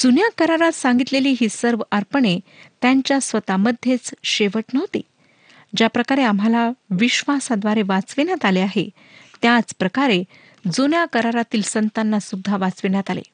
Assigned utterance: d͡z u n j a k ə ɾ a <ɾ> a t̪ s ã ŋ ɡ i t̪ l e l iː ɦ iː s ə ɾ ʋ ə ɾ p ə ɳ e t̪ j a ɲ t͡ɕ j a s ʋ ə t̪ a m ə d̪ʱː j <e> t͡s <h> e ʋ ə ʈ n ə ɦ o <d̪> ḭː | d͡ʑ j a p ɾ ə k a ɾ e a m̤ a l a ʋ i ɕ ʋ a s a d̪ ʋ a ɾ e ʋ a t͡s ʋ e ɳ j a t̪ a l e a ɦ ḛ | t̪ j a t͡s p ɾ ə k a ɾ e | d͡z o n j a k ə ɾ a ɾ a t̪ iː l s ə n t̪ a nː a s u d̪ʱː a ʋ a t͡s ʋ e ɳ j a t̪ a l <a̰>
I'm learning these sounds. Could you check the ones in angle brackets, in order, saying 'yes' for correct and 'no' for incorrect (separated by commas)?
yes, yes, no, no, no